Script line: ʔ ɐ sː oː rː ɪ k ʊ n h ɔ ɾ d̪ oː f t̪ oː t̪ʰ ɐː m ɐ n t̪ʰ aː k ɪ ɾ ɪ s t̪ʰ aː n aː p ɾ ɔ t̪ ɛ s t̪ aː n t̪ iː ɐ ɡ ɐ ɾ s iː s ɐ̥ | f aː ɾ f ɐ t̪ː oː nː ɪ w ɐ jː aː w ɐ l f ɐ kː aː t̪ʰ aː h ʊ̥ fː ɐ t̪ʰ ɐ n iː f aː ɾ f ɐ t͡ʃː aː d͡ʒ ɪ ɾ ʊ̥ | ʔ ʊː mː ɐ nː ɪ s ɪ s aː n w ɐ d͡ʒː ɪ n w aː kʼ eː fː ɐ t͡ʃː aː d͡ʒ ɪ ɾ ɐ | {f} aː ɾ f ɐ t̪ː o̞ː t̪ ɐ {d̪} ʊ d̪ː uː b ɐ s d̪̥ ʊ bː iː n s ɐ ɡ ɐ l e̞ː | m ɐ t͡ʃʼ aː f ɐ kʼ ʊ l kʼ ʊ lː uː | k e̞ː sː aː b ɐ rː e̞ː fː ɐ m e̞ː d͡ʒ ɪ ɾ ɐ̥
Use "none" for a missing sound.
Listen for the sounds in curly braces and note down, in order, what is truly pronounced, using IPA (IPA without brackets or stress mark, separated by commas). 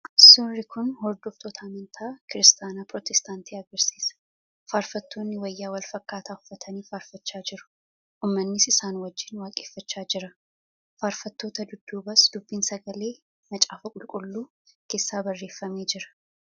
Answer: f, d̪